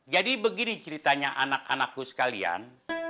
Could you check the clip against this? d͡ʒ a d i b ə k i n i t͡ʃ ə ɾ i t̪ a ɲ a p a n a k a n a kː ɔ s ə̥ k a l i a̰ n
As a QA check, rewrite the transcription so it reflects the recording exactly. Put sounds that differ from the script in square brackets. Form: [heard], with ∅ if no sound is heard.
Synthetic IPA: d͡ʒ a d i b ə [ɡ] i n i t͡ʃ ə ɾ i t̪ a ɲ a [ʔ] a n a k a n a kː [u] s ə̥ k a l i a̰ n